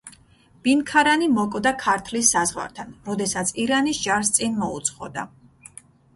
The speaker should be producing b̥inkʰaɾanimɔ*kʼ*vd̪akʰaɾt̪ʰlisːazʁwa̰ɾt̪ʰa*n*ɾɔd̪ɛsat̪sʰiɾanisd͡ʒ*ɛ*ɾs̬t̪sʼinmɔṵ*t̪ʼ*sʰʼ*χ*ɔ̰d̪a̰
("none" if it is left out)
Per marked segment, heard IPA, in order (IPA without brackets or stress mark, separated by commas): kʼ, n, a, t̪, χ